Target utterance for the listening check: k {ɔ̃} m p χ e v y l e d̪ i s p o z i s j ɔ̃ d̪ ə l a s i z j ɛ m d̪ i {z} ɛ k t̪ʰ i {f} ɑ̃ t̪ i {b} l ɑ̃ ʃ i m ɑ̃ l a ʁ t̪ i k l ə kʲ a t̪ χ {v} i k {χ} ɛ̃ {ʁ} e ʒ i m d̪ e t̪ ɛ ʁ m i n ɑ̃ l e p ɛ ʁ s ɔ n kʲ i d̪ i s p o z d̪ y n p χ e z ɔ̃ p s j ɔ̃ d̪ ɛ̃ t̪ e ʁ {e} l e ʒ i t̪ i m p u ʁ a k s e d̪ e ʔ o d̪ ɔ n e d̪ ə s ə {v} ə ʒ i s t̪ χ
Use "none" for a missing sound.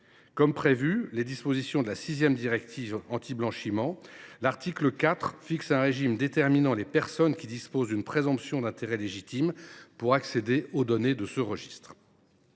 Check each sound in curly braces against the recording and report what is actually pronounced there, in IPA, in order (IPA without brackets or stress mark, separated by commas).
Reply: ɔ, ʁ, v, b, f, s, ʁ, ɛ, ʁ